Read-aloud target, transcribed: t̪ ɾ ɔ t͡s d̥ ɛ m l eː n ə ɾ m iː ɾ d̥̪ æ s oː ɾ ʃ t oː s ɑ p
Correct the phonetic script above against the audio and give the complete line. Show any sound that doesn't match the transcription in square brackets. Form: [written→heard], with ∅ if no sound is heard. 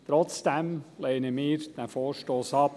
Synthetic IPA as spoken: t̪ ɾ ɔ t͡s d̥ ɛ m l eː n ə [ɾ→∅] m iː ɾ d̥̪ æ [s→f] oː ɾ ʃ t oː s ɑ p